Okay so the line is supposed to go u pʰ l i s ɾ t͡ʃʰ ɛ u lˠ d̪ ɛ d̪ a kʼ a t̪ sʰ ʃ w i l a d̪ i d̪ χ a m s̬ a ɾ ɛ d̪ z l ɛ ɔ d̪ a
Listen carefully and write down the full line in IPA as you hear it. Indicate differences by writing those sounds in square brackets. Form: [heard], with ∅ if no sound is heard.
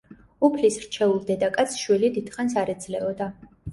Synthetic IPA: u pʰ l i s ɾ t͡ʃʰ ɛ u lˠ d̪ ɛ d̪ a kʼ a t̪ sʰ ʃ w i l [i] d̪ i d̪ χ a [n] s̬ a ɾ ɛ d̪ z l ɛ ɔ d̪ a